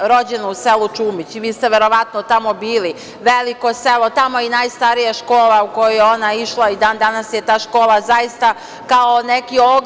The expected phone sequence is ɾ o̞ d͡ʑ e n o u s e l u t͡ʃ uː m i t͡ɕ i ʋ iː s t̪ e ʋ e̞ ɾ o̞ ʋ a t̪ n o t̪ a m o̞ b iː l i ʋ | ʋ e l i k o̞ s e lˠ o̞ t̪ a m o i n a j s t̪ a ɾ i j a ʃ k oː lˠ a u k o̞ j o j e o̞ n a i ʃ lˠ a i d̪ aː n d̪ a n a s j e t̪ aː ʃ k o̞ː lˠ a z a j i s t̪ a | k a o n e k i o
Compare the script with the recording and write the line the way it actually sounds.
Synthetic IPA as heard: ɾ o̞ d͡ʑ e n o u s e l u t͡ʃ uː m i t͡ɕ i ʋ iː s t̪ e ʋ e̞ ɾ o̞ ʋ a t̪ n o t̪ a m o̞ b iː l i | ʋ e l i k o̞ s e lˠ o̞ t̪ a m o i n a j s t̪ a ɾ i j a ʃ k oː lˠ a u k o̞ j o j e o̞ n a i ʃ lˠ a i d̪ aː n d̪ a n a s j e t̪ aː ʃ k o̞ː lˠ a z a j i s t̪ a | k a o n e k i o

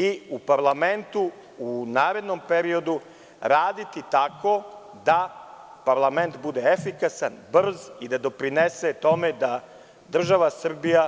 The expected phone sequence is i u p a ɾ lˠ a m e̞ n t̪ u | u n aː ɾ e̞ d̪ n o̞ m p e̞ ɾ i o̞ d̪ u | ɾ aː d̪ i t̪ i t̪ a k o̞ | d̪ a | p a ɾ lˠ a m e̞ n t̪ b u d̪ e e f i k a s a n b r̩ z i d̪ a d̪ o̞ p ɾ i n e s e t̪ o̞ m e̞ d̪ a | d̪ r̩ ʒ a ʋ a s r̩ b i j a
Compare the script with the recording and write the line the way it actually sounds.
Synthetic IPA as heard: i u p a ɾ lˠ a m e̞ n t̪ u | u n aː ɾ e̞ d̪ n o̞ m p e̞ ɾ i o̞ d̪ u | ɾ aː d̪ i t̪ i t̪ a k o̞ | d̪ a | p a ɾ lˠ a m e̞ n t̪ b u d̪ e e f i k a s a n b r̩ z i d̪ a d̪ o̞ p ɾ i n e s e t̪ o̞ m e̞ d̪ a | d̪ r̩ ʒ a ʋ a s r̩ b i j a

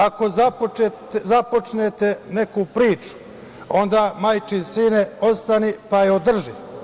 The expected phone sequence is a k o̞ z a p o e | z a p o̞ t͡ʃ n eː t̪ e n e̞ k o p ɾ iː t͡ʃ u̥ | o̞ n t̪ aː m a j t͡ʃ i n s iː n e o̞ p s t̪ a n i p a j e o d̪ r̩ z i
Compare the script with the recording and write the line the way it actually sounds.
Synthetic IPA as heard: a k o̞ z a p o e | z a p o̞ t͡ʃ n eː t̪ e n e̞ k u p ɾ iː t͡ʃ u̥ | o̞ n d̪ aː m a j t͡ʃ i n s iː n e o̞ s t̪ a n i p a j e o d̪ r̩ ʒ i

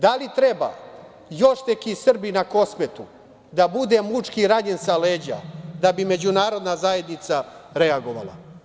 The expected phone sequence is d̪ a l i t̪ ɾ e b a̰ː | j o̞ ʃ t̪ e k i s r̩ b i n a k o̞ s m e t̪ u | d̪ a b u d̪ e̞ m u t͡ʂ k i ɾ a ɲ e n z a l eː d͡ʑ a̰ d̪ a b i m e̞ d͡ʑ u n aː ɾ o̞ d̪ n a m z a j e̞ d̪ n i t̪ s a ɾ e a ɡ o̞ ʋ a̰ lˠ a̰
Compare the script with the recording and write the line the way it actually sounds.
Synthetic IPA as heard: d̪ a l i t̪ ɾ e b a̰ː | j o̞ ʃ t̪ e k i s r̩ b i n a k o̞ s m e t̪ u | d̪ a b u d̪ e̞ m u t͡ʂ k i ɾ a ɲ e n s a l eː d͡ʑ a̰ d̪ a b i m e̞ d͡ʑ u n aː ɾ o̞ d̪ n a z a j e̞ d̪ n i t̪ s a ɾ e a ɡ o̞ ʋ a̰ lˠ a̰

